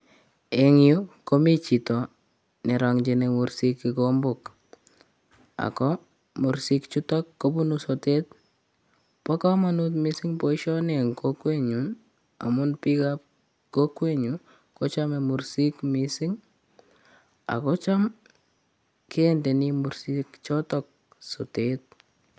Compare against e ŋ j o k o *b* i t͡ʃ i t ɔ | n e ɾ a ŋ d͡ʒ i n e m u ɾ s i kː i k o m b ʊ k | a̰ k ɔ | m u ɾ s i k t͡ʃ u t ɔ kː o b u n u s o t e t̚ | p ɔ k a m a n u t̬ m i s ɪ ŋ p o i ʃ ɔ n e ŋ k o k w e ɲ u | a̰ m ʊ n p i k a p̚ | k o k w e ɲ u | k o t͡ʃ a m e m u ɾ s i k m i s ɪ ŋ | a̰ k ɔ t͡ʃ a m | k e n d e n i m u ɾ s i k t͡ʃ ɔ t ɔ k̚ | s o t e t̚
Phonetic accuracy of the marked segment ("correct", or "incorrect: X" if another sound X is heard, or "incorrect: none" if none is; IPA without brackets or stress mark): incorrect: m